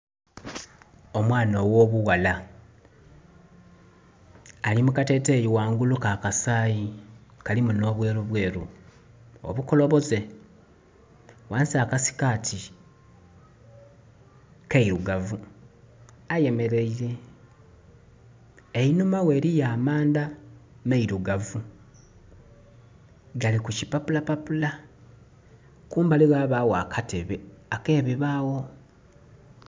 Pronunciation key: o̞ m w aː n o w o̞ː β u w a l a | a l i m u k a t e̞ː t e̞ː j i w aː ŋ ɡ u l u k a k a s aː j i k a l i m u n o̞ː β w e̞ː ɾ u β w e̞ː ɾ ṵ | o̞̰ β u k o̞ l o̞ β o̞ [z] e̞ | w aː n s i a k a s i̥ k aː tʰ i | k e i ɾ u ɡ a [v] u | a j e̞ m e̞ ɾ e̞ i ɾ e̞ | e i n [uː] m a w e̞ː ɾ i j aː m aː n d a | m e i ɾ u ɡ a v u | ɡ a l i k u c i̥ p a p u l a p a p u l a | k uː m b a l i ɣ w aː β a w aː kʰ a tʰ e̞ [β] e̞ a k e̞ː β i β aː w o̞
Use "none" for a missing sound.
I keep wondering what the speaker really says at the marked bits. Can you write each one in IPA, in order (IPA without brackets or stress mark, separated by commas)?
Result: z, v, u, β